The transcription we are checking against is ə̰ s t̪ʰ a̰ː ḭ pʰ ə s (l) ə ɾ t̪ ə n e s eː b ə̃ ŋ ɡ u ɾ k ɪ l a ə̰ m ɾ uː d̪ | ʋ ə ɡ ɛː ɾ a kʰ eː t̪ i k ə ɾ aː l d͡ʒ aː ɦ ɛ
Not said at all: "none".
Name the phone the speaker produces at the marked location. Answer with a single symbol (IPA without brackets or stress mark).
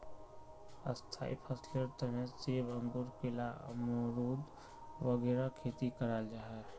l